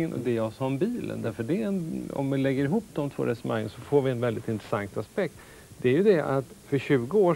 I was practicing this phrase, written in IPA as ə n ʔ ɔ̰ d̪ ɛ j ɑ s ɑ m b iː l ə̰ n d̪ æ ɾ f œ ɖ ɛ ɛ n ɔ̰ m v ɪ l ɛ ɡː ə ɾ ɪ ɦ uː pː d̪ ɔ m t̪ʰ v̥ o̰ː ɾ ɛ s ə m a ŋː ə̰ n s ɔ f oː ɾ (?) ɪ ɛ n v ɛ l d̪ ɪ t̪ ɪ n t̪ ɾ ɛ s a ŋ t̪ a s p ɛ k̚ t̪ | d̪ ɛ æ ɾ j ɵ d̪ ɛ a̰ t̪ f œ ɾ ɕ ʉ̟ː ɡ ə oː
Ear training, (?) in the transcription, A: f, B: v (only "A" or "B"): B